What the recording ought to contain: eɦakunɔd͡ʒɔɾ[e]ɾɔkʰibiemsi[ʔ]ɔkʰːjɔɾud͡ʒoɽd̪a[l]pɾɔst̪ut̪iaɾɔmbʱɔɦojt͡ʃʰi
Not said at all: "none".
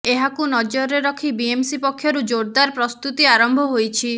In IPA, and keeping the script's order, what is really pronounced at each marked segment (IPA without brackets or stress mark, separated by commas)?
e, p, ɾ